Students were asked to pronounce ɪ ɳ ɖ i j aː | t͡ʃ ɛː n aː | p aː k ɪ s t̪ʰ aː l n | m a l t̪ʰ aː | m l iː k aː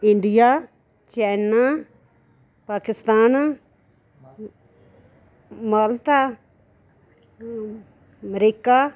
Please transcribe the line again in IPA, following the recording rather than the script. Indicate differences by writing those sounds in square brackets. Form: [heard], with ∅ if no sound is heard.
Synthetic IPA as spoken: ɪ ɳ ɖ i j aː | t͡ʃ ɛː n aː | p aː k ɪ s [t̪] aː [∅] n | m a l [t̪] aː | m [ɾ] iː k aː